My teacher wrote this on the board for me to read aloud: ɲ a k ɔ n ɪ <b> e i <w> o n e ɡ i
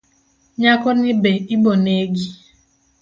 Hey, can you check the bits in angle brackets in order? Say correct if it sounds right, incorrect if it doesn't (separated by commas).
correct, incorrect